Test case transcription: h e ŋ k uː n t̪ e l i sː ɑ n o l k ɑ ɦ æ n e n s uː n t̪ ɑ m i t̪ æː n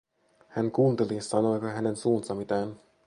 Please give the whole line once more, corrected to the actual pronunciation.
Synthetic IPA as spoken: h æ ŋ k uː n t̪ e l i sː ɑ n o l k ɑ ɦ æ n e n s uː n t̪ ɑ m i t̪ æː n